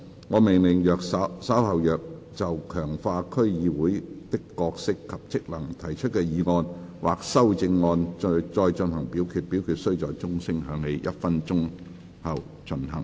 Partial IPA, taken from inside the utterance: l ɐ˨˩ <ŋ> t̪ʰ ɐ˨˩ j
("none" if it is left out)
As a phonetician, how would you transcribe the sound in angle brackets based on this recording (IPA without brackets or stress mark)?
ŋ